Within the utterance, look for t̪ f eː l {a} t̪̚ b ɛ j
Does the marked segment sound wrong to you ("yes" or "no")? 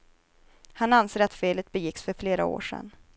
yes